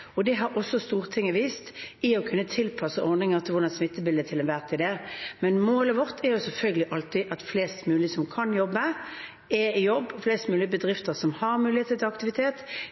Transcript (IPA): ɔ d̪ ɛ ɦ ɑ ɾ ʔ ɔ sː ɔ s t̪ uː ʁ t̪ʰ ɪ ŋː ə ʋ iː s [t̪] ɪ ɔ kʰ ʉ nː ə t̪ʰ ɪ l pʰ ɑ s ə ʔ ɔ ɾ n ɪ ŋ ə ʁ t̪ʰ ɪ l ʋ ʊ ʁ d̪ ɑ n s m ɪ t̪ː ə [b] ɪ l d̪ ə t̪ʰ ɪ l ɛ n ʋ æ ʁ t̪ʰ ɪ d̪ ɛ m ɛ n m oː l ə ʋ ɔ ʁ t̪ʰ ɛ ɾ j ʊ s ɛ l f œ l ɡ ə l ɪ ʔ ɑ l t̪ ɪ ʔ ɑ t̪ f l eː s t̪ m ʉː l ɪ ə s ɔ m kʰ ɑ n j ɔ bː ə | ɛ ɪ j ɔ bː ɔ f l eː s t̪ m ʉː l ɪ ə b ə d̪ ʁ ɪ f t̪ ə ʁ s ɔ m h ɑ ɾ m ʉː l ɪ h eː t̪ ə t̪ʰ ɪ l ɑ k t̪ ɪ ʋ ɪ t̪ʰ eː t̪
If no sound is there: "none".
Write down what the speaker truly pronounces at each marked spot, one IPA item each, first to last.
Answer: t̪, b

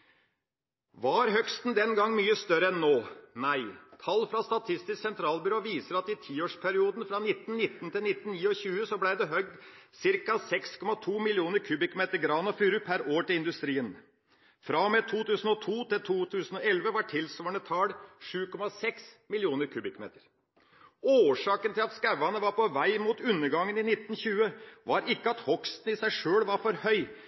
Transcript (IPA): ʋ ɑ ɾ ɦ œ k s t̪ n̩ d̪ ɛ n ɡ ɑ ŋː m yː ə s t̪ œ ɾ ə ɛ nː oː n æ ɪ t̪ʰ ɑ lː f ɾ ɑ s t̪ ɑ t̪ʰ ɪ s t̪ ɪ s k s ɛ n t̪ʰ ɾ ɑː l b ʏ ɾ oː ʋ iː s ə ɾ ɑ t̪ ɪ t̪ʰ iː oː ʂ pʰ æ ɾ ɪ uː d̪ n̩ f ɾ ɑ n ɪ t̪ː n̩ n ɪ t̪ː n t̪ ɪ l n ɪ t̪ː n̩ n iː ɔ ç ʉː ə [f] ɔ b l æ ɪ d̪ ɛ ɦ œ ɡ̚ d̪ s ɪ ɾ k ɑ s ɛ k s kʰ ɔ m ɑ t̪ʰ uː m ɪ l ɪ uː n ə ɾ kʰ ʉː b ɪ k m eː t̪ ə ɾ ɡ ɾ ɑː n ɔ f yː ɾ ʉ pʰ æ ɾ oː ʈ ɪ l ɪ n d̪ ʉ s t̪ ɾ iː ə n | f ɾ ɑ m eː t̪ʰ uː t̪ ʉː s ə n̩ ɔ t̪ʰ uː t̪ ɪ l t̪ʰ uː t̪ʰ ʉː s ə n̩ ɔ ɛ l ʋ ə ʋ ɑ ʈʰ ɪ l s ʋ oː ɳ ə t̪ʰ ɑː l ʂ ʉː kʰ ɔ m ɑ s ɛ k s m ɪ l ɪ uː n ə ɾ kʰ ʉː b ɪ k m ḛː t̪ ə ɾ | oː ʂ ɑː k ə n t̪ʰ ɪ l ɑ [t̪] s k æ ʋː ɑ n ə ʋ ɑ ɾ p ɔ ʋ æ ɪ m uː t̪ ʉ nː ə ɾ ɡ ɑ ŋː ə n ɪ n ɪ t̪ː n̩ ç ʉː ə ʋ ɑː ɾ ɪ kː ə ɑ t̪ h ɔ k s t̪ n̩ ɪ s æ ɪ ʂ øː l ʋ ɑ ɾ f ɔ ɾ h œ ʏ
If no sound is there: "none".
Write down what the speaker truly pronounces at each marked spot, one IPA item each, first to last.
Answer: s, t̪

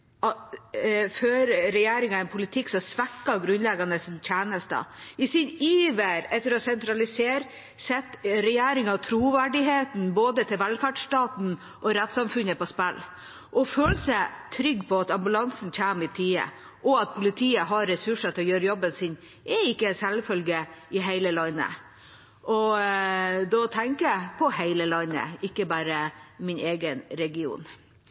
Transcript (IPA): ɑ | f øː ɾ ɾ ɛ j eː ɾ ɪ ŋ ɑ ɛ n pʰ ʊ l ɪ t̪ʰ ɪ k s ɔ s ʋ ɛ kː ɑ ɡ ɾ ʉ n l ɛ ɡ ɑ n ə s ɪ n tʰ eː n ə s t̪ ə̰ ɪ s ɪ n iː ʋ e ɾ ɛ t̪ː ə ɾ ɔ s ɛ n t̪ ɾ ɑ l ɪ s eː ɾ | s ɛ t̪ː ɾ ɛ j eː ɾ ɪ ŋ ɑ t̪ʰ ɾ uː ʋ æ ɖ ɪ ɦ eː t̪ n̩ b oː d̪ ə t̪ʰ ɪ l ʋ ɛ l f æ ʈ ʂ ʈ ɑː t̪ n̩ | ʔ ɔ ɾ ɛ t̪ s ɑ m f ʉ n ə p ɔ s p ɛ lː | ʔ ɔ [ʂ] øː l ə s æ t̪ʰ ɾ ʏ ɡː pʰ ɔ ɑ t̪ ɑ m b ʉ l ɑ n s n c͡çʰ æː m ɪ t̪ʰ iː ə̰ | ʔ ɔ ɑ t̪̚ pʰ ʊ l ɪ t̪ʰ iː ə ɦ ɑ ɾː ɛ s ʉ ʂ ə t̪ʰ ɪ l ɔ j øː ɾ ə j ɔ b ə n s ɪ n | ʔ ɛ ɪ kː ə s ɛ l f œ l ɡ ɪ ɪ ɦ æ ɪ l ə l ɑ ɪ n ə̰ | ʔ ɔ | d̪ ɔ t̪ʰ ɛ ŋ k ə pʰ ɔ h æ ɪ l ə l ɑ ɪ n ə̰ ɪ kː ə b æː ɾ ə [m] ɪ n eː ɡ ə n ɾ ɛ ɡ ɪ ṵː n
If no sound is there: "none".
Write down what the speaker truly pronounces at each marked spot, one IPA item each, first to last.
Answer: f, m

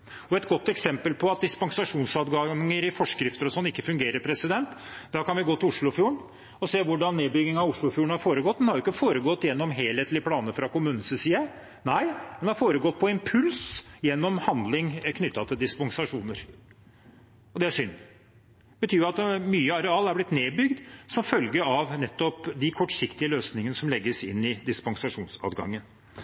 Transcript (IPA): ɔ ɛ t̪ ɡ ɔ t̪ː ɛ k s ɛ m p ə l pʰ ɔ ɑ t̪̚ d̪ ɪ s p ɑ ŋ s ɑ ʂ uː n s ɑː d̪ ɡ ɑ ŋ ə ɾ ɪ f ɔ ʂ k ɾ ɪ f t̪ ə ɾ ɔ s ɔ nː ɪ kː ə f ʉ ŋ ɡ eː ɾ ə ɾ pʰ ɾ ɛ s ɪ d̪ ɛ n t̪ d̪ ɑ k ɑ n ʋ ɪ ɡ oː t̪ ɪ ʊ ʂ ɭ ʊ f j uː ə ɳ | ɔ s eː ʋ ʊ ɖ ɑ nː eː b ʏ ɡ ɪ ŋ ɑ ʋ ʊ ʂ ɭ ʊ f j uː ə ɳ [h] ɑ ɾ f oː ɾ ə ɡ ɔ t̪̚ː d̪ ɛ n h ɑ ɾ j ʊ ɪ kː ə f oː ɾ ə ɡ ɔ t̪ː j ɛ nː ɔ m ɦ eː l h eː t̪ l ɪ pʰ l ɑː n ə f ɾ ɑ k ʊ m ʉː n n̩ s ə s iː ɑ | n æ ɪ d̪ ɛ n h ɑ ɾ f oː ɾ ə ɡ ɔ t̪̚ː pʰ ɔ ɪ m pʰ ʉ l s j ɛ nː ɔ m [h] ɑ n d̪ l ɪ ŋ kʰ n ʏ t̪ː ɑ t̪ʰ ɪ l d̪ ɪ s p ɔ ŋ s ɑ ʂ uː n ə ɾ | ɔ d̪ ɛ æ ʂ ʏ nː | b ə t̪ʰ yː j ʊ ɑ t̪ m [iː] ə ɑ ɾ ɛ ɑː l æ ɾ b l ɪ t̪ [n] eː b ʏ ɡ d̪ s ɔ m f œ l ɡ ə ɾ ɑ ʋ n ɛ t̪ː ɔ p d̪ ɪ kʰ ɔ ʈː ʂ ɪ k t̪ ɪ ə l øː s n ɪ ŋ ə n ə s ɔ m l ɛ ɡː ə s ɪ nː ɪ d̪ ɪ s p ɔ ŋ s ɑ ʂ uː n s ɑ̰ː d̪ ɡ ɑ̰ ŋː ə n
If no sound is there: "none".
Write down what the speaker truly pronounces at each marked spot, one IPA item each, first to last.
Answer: h, h, yː, n

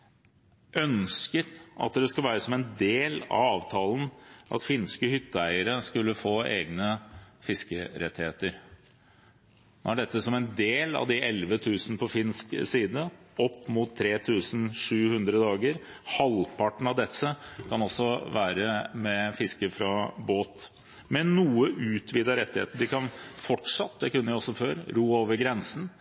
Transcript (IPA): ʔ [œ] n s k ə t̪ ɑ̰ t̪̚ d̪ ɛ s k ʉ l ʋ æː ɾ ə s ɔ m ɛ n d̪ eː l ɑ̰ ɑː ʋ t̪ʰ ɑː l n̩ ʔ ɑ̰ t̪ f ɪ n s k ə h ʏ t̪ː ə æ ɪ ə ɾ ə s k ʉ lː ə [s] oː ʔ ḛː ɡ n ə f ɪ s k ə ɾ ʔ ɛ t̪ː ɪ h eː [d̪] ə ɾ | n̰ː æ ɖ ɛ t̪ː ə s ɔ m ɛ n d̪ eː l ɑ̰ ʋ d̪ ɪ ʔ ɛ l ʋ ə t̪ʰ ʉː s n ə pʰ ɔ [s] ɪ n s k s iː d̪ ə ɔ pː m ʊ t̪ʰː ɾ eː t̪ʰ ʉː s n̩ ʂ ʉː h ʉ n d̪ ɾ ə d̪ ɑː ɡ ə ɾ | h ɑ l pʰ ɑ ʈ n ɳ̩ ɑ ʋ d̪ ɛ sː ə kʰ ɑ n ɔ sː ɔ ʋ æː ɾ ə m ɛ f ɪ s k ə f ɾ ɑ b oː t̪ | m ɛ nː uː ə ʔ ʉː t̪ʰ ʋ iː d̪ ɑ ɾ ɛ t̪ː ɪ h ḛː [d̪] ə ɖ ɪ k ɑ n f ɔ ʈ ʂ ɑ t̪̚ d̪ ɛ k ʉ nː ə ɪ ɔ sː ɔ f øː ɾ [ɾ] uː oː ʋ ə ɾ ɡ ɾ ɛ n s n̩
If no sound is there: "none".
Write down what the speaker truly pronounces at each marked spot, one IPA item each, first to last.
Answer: œ, f, t̪, f, t̪, ɾ

